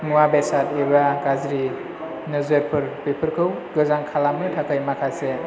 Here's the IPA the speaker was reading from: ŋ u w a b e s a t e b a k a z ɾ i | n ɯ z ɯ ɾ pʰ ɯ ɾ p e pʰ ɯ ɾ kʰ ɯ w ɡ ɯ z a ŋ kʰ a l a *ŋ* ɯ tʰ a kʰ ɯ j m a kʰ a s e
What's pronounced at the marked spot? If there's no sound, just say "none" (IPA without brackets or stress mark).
m